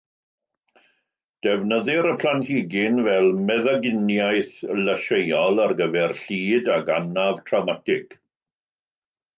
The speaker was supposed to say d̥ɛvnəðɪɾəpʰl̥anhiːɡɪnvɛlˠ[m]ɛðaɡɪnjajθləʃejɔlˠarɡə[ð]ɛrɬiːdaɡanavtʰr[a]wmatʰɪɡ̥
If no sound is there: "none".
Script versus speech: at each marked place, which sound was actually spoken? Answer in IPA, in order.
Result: m, v, a

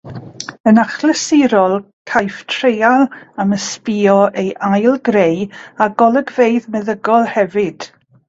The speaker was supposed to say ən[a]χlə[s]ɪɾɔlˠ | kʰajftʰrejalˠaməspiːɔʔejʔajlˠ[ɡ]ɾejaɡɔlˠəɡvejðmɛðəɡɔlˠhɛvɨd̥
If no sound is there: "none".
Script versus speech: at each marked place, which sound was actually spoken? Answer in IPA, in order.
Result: a, s, ɡ

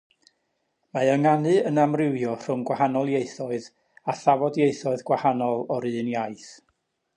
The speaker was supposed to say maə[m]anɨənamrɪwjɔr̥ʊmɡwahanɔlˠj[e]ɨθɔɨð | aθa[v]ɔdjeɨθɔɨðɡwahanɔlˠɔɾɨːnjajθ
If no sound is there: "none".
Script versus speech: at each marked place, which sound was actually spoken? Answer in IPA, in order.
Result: ŋ, e, v

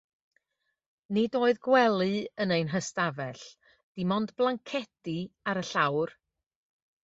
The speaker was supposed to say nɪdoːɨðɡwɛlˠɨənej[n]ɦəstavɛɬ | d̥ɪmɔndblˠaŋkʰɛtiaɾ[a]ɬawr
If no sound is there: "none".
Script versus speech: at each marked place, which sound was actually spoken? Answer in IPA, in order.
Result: n, ə

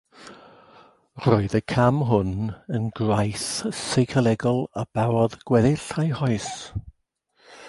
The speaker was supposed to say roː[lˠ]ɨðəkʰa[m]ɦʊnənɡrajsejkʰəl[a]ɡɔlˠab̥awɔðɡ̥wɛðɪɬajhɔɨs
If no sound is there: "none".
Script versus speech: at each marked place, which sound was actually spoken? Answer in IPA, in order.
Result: none, m, ɛ

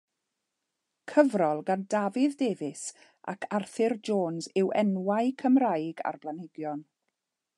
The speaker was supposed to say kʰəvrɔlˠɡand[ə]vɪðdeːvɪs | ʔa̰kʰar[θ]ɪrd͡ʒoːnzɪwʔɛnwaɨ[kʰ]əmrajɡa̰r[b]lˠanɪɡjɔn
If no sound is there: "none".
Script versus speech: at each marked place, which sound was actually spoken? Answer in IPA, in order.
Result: a, θ, kʰ, b

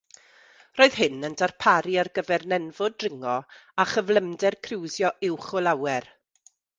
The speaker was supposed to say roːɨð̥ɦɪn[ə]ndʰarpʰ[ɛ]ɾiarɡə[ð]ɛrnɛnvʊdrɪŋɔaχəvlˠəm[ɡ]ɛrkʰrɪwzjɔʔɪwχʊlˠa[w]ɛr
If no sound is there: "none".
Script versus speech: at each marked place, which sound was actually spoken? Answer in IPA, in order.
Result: ə, a, v, d, w

